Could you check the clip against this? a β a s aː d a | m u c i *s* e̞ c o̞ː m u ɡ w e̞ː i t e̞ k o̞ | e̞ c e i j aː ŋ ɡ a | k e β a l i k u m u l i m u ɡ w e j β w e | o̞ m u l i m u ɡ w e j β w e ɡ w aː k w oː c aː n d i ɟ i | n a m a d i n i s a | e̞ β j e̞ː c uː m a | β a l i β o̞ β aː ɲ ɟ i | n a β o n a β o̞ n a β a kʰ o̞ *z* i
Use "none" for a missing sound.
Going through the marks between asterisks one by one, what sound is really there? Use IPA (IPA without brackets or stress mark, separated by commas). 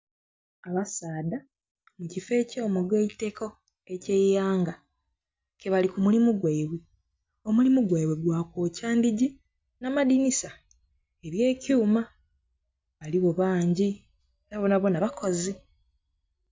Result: f, z